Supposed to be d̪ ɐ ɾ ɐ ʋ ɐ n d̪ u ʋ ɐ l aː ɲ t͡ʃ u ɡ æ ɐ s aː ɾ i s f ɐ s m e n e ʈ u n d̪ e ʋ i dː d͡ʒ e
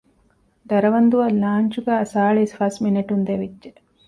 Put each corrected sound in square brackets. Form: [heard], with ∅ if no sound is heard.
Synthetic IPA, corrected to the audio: d̪ ɐ ɾ ɐ ʋ ɐ n d̪ u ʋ ɐ l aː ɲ t͡ʃ u ɡ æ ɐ s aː [ɭ] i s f ɐ s m [i] n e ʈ u n d̪ e ʋ i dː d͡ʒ e